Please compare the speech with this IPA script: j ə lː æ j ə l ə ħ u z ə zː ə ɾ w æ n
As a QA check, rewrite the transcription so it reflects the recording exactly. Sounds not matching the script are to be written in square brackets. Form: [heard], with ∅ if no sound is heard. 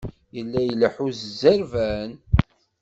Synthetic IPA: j ə lː æ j ə l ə ħ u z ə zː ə ɾ [v] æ n